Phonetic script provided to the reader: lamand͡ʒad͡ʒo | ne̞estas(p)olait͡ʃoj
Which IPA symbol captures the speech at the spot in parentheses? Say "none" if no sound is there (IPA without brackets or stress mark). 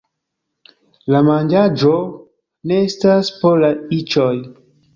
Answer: p